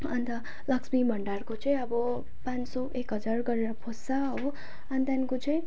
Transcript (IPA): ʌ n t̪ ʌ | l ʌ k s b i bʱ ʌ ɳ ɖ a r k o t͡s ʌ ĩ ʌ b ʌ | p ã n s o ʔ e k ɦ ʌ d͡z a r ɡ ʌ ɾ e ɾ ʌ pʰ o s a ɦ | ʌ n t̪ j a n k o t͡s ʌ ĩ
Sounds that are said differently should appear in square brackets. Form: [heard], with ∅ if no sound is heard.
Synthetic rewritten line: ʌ n t̪ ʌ | l ʌ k s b i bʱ ʌ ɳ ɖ a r k o t͡s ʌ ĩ ʌ b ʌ | p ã n s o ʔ e k ɦ ʌ d͡z a r ɡ ʌ ɾ e ɾ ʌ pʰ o s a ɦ | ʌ n t̪ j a n k o t͡s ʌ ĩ

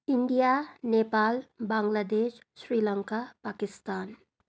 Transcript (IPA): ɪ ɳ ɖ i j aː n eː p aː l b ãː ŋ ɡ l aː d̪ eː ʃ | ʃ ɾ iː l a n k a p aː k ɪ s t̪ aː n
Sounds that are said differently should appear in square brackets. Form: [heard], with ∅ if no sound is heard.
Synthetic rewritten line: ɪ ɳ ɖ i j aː n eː p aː l b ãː ŋ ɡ l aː d̪ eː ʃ | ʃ ɾ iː l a [ŋ] k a p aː k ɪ s t̪ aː n

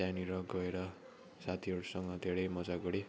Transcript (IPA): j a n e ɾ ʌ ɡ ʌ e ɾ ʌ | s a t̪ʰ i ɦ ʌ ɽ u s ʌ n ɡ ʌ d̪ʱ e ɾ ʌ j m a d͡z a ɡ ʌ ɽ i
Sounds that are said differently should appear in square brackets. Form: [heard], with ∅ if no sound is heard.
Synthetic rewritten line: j a n [i] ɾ ʌ ɡ ʌ e ɾ ʌ | s a t̪ʰ i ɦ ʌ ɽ u s ʌ [ŋ] ɡ ʌ d̪ʱ e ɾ ʌ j m [ʌ] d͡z a ɡ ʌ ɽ i

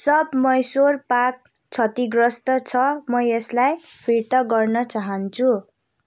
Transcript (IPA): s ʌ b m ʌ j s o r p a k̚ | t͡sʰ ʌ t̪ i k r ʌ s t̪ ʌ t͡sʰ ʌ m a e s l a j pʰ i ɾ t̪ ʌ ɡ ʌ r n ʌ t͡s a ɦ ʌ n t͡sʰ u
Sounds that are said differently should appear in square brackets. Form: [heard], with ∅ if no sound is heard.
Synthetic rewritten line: s ʌ b m ʌ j s o r p a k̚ | t͡sʰ ʌ t̪ i [ɡ] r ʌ s t̪ ʌ t͡sʰ ʌ m [ʌ] e s l a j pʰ i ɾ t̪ ʌ ɡ ʌ r n ʌ t͡s a ɦ ʌ n t͡sʰ u

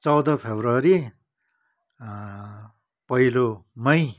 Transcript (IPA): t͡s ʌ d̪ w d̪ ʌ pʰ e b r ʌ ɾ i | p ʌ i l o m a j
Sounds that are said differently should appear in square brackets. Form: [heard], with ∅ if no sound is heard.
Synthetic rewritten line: t͡s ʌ [∅] w d̪ ʌ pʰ e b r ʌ ɾ i | p ʌ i l o m [ʌ] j

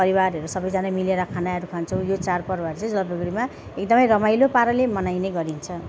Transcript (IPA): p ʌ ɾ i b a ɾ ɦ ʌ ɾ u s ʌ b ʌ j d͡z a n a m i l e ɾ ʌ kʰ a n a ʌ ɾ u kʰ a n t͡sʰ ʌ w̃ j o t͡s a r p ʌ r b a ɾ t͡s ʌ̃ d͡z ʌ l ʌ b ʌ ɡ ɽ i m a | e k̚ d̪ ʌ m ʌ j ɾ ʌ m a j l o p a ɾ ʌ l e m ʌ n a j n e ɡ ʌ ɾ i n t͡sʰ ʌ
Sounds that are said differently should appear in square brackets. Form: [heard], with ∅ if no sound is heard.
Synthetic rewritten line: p ʌ ɾ i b a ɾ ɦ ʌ ɾ u s ʌ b ʌ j d͡z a n a m i l e ɾ ʌ kʰ a n a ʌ ɾ u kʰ a n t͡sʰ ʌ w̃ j o t͡s a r p ʌ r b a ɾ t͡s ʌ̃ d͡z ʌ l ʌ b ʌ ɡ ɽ i m a | e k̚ d̪ ʌ m ʌ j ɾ ʌ m a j l o p a ɾ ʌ l e m ʌ n a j n e ɡ ʌ ɾ i n t͡sʰ ʌ

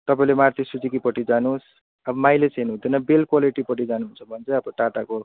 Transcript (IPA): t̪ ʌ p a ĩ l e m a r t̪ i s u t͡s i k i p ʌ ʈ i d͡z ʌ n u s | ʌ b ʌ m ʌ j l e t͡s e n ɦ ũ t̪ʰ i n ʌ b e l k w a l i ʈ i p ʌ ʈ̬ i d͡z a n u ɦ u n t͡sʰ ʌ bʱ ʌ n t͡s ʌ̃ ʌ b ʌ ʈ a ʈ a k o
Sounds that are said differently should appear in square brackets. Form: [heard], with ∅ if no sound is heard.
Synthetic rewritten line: t̪ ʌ p a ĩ l e m a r t̪ i s u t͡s i k i p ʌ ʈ i d͡z [a] n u s | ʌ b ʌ m [a] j l e t͡s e n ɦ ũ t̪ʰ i n ʌ b e l k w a l i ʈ i p ʌ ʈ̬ i d͡z a n u ɦ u n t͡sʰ ʌ bʱ ʌ n t͡s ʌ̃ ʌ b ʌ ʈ a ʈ a k o

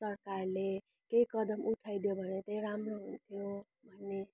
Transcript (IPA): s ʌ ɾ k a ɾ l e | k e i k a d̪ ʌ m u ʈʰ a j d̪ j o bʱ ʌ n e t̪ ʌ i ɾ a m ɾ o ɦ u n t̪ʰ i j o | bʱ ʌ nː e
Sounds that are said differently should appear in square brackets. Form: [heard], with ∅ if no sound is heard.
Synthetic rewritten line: s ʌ ɾ k a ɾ l e | k e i k [ʌ] d̪ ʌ m u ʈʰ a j d̪ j o bʱ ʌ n e t̪ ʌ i ɾ a m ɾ o ɦ u n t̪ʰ i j o | bʱ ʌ nː e

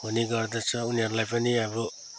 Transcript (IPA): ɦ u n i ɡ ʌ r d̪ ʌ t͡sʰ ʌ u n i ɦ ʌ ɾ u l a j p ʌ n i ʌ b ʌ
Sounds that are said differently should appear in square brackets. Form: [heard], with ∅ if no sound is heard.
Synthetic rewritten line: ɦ u n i ɡ ʌ r d̪ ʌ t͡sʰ ʌ u n i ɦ ʌ ɾ u l a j p ʌ n i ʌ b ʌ

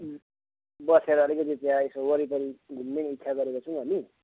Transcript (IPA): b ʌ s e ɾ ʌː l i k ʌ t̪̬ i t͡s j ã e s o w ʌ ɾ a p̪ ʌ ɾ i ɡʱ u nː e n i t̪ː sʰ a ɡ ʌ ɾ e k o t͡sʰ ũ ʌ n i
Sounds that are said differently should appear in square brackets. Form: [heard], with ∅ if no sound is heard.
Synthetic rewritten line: b ʌ s e ɾ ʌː l i k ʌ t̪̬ i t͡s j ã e s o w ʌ ɾ [i] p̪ ʌ ɾ i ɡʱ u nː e n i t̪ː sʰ a ɡ ʌ ɾ e k o t͡sʰ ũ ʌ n i

